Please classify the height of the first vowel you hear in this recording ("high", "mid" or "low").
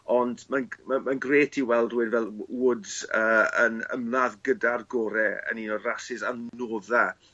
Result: mid